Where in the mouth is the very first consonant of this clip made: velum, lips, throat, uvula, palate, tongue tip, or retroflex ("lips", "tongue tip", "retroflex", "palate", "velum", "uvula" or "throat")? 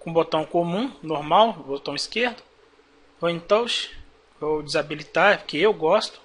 velum